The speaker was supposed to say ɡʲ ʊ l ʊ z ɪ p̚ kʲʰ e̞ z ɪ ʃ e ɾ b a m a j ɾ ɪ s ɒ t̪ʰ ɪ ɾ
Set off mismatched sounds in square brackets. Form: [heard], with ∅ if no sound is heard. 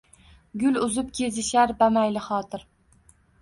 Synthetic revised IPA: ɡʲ ʊ l ʊ z ɪ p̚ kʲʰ e̞ z ɪ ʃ [a] ɾ b a m a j [l] ɪ [χ] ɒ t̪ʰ ɪ ɾ